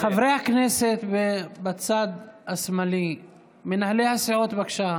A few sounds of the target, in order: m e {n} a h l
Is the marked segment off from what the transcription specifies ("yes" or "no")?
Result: no